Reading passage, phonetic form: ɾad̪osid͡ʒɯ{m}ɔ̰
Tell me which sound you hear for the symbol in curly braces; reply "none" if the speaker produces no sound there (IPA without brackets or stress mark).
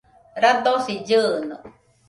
n